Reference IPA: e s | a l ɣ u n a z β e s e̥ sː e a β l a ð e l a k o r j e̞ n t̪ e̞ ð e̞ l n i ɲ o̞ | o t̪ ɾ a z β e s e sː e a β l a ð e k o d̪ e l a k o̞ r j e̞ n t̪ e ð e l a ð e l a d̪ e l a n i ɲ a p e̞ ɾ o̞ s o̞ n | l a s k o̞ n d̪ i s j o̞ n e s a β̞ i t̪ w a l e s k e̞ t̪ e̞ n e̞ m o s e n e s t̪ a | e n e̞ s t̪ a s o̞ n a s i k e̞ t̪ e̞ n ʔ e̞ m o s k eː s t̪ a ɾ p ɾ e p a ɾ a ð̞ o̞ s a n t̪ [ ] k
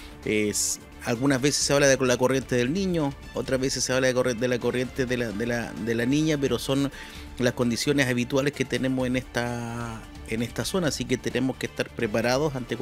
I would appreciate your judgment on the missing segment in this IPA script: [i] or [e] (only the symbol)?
e